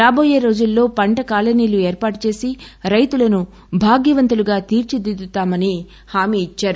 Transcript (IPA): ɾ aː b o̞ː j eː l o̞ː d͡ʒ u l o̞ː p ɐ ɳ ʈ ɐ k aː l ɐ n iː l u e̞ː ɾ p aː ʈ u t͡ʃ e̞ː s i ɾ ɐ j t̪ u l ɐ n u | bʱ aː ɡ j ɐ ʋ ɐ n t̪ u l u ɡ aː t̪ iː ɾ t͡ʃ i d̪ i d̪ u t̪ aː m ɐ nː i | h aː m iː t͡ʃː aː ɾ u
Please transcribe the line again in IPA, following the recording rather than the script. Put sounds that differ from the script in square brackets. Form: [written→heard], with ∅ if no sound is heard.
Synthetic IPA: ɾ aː b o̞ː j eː [l→ɾ] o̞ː d͡ʒ u [l→lː] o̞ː p ɐ ɳ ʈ ɐ k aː l ɐ n iː l u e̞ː ɾ p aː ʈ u t͡ʃ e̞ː s i ɾ ɐ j t̪ u l ɐ n u | bʱ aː ɡ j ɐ ʋ ɐ n t̪ u l u ɡ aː t̪ iː ɾ t͡ʃ i d̪ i d̪ u t̪ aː m ɐ [nː→n] i | h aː m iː t͡ʃː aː ɾ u

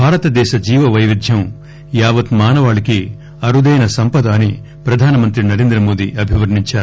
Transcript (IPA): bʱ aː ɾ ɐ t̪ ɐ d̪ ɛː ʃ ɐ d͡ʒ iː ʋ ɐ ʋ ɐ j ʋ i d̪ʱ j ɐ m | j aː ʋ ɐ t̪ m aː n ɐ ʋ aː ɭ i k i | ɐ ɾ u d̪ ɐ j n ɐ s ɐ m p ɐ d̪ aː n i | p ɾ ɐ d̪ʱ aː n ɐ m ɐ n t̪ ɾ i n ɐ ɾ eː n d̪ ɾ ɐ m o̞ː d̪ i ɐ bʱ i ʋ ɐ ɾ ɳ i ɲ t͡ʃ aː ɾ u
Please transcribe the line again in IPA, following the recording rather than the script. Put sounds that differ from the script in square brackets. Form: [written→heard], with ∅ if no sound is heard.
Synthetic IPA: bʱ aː ɾ ɐ t̪ ɐ d̪ ɛː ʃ ɐ d͡ʒ iː ʋ ɐ ʋ ɐ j ʋ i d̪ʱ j ɐ m | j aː ʋ ɐ t̪ m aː n ɐ ʋ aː ɭ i k i | ɐ ɾ u d̪ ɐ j n ɐ s ɐ m p ɐ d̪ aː n i | p ɾ ɐ d̪ʱ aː n ɐ m ɐ n t̪ ɾ i n ɐ ɾ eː n d̪ ɾ ɐ m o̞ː d̪ i ɐ bʱ i ʋ ɐ ɾ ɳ i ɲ t͡ʃ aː ɾ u

